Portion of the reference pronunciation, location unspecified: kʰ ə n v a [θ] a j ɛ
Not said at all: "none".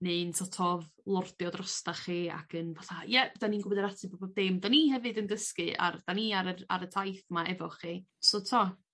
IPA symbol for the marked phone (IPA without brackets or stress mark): θ